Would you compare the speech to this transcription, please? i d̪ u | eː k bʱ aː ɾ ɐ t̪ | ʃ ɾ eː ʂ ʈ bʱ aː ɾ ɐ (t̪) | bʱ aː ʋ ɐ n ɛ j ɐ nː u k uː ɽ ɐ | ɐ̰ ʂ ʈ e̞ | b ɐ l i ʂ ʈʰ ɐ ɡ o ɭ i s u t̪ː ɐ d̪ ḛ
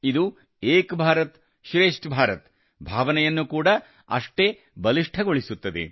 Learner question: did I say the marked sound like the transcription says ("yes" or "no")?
yes